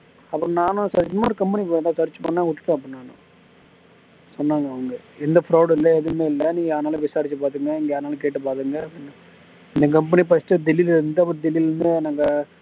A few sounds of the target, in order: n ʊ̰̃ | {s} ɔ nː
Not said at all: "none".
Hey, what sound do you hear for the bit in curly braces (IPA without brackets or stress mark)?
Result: s